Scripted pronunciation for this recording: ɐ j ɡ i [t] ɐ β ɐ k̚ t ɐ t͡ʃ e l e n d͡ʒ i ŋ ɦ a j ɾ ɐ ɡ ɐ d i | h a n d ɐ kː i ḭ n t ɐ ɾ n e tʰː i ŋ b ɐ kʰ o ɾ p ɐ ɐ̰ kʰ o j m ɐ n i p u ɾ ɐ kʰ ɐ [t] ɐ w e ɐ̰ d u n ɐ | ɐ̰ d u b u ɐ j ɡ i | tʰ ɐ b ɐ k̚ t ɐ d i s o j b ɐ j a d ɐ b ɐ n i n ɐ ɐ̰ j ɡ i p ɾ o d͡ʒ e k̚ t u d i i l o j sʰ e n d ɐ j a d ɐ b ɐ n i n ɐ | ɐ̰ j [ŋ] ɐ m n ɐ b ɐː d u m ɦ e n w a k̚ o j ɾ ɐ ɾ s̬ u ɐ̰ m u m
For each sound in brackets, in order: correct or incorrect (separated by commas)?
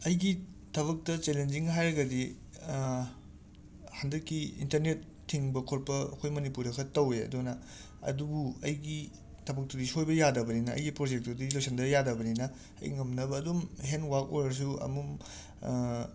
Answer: incorrect, correct, correct